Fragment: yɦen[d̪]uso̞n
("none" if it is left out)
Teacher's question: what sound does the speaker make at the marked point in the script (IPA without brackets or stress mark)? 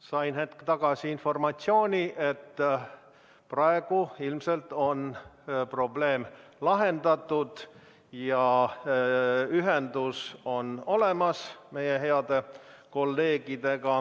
d̪